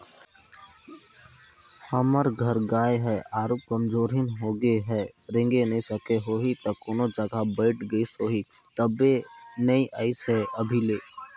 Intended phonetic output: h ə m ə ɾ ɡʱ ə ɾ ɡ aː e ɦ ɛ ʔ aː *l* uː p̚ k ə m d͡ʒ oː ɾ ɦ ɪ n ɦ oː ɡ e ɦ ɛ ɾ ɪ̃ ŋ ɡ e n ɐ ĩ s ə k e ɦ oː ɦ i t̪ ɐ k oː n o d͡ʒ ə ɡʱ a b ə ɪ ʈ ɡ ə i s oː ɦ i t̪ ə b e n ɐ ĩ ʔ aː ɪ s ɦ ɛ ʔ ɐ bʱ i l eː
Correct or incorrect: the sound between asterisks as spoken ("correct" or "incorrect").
incorrect